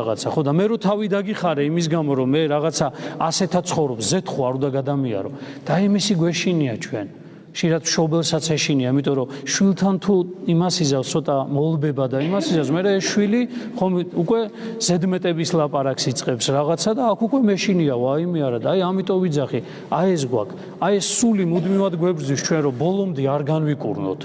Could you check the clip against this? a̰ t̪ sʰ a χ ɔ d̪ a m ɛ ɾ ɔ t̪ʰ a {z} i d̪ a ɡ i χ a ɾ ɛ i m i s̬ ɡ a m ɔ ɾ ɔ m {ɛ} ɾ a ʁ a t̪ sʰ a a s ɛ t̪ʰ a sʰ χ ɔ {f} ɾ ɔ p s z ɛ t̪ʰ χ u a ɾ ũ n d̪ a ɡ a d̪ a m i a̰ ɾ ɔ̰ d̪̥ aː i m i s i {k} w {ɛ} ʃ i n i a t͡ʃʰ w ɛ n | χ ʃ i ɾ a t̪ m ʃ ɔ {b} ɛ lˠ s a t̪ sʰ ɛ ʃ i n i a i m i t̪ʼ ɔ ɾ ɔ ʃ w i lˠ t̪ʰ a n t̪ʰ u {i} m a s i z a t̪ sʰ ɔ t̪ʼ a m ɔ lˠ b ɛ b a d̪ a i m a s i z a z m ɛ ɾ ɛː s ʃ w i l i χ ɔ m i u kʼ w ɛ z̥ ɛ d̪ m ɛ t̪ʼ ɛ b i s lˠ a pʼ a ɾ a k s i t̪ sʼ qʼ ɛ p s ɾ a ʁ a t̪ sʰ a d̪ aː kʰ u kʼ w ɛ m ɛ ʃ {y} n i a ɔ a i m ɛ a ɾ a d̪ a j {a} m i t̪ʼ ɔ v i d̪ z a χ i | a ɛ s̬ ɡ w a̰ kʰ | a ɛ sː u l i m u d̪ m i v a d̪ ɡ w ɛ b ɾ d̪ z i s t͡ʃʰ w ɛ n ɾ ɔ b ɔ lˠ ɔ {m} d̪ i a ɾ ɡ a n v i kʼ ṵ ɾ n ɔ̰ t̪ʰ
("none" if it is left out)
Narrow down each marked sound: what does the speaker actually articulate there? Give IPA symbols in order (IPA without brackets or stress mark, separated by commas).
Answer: v, ɛ, v, ɡ, ɛ, b, i, i, a, m